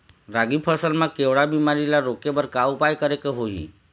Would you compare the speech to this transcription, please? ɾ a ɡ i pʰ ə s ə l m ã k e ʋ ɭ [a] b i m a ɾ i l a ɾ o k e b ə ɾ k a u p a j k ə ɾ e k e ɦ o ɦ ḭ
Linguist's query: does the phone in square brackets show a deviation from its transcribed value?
no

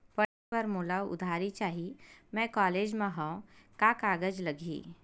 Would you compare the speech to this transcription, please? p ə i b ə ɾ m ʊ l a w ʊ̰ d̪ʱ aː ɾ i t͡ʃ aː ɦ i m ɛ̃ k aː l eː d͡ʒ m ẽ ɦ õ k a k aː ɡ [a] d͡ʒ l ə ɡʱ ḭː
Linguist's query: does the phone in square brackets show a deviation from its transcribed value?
yes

